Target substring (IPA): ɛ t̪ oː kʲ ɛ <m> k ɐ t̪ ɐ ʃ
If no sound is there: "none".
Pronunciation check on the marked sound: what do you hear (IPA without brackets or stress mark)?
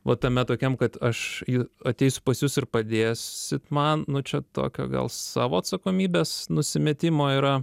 m